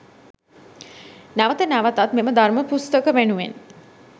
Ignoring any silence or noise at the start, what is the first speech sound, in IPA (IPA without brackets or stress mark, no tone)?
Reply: n